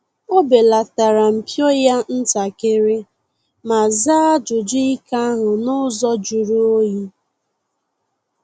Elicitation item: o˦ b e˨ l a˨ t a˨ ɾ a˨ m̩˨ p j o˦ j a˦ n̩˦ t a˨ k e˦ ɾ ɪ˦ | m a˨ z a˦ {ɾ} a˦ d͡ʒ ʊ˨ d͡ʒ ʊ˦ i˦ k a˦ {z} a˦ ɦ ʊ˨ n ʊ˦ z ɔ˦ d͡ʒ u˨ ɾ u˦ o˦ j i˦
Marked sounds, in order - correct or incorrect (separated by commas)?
incorrect, incorrect